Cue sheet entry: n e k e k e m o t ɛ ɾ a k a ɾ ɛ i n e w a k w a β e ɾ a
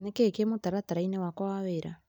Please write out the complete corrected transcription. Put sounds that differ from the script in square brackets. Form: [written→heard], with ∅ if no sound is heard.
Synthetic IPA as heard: n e k e k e m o t [ɛ→a] ɾ a [k→t] a ɾ [ɛ→a] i n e w a k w a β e ɾ a